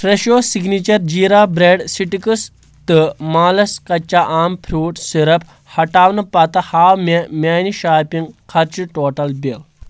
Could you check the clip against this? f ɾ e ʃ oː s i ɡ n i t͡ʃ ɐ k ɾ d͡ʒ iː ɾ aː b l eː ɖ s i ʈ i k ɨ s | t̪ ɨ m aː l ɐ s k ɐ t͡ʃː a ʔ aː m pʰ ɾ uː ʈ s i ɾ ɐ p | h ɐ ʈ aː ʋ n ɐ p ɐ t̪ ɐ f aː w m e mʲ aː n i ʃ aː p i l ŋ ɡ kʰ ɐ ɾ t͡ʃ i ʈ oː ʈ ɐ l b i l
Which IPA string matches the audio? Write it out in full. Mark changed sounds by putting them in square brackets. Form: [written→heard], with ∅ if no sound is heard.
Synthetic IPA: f ɾ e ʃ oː s i ɡ n i t͡ʃ ɐ [k→∅] ɾ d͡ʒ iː ɾ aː b [l→ɾ] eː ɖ s i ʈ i k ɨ s | t̪ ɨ m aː l ɐ s k ɐ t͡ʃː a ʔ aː m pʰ ɾ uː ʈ s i ɾ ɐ p | h ɐ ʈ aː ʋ n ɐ p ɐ t̪ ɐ [f→h] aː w m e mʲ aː n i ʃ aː p i [l→∅] ŋ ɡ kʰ ɐ ɾ t͡ʃ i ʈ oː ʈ ɐ l b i l